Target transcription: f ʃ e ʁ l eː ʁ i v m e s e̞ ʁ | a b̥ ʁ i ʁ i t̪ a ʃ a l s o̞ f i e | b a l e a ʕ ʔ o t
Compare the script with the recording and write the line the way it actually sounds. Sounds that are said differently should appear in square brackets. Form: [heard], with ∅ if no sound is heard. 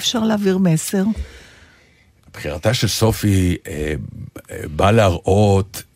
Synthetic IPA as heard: f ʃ [a] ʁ l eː [v] i [ʁ] m e s e̞ ʁ | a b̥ [χ] i ʁ [a] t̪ a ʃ [e] l s o̞ f i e | b a l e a [ʁ] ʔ o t